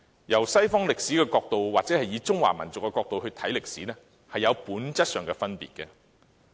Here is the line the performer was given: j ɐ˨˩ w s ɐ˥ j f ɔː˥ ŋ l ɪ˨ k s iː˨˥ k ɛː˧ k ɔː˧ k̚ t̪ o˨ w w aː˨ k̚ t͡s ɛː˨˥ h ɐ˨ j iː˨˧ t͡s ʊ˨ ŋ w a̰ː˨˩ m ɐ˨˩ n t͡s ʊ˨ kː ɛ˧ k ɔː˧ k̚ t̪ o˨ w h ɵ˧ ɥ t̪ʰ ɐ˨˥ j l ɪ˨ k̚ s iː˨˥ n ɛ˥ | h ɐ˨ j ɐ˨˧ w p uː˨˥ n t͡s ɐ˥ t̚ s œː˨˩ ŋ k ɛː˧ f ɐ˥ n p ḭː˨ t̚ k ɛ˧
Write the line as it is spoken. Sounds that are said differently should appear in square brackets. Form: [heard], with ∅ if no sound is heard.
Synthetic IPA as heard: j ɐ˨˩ w s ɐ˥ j f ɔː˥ ŋ l ɪ˨ k s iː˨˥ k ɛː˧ k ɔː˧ k̚ t̪ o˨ w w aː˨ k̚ t͡s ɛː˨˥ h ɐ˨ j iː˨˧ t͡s [ʊ˥] ŋ w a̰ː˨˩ m ɐ˨˩ n t͡s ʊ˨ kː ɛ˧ k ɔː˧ k̚ t̪ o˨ w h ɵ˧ ɥ t̪ʰ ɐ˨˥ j l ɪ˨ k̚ s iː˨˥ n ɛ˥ | h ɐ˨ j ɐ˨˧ w p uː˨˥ n t͡s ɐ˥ t̚ s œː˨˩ ŋ k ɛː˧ f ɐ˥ n p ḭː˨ t̚ k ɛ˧